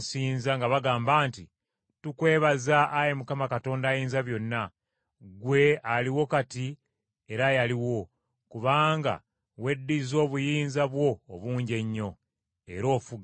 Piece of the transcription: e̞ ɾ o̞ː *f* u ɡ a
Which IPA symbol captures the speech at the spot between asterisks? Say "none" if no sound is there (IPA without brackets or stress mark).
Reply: f